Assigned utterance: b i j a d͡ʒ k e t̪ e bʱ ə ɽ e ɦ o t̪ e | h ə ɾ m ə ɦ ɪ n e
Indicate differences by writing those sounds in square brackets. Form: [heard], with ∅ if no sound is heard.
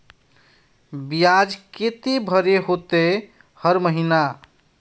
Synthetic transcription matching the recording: b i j a d͡ʒ k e t̪ e bʱ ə [ɾ] e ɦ o t̪ e | h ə ɾ m ə ɦ [i] n [a]